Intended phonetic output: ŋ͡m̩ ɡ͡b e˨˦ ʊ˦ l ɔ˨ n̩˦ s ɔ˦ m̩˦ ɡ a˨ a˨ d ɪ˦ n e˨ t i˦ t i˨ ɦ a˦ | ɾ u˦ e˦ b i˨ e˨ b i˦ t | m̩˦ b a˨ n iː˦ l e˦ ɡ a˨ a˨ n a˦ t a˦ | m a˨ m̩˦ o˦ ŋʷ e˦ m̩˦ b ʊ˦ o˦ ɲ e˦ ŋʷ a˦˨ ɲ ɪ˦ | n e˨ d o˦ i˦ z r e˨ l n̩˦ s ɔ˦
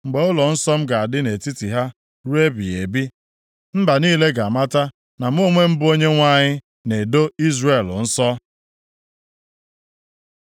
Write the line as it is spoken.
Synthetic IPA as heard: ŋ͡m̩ ɡ͡b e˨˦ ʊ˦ l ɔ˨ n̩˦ s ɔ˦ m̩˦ ɡ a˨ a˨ d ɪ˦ n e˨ t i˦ t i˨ ɦ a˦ | ɾ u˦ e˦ b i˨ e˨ b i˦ | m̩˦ b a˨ n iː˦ l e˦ ɡ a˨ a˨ m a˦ t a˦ | n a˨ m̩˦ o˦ ŋʷ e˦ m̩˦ b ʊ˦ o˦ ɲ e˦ ŋʷ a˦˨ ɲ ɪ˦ | n e˨ d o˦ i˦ z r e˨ l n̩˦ s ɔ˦